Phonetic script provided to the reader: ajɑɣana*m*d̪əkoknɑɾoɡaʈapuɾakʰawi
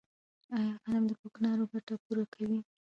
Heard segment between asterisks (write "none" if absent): m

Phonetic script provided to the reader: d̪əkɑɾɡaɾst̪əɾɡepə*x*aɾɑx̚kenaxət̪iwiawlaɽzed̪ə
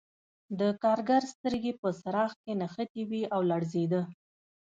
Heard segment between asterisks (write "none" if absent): s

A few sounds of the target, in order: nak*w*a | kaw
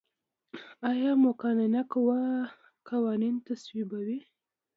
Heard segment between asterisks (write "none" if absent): w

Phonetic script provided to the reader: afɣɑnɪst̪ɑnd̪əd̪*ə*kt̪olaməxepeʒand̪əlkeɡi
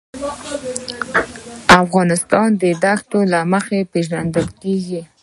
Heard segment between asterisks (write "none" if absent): a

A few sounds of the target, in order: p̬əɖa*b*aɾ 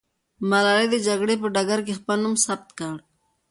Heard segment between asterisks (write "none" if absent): ɡ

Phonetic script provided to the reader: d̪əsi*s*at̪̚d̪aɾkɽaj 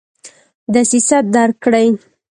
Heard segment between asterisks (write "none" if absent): s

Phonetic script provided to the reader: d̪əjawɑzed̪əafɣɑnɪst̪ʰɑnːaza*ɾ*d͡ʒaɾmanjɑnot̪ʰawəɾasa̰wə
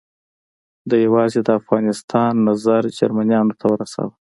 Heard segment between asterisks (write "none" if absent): ɾ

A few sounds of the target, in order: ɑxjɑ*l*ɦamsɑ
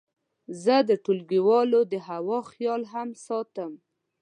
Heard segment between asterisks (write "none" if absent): l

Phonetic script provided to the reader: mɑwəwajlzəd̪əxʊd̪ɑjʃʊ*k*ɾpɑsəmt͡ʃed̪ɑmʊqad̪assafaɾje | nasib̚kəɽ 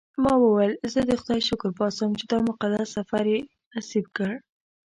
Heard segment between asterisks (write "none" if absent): k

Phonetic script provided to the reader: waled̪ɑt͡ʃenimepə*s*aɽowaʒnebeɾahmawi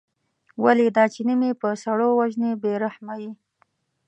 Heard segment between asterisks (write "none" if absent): s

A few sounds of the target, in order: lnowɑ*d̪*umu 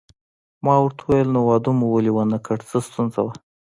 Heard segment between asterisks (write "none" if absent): d̪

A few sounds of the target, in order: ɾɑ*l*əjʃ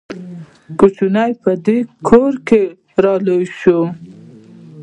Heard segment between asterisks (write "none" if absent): l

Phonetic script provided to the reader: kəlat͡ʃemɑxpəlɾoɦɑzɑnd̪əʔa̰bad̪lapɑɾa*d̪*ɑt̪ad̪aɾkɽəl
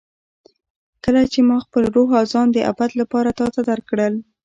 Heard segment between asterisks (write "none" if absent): t̪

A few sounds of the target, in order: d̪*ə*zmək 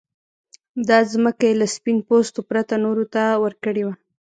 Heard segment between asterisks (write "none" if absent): ɑ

